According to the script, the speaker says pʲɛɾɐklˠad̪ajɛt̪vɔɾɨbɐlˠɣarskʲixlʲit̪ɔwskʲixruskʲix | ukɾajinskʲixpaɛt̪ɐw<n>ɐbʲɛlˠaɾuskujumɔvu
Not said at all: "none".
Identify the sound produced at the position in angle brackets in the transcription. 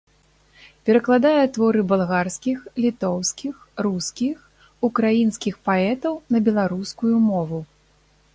n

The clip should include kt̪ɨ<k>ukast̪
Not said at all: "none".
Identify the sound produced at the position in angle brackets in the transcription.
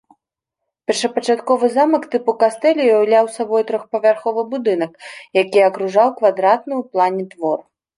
p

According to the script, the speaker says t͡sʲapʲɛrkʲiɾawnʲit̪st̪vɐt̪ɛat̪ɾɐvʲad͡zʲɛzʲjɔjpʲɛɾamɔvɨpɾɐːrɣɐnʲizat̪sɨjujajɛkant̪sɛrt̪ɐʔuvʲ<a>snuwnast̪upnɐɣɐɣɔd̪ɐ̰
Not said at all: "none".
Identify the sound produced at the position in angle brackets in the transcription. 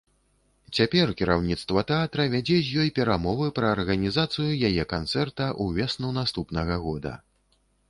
ɛ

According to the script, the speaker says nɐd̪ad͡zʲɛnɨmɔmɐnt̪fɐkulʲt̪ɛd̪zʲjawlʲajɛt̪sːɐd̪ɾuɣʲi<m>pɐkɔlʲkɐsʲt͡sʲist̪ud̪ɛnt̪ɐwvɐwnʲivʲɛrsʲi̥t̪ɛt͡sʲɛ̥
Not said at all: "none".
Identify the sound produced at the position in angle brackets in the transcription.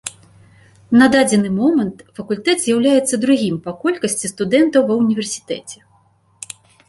m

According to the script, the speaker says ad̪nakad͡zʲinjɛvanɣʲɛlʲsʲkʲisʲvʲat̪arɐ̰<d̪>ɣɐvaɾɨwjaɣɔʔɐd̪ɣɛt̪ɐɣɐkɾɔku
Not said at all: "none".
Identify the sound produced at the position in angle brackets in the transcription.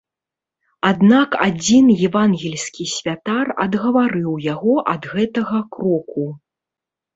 d̪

